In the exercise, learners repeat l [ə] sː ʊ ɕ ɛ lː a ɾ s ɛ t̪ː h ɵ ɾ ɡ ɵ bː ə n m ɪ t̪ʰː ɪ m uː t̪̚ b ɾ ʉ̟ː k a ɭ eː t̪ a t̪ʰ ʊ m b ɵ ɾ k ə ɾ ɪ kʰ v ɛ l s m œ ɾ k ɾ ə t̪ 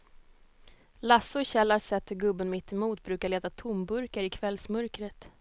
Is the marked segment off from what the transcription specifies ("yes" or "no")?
yes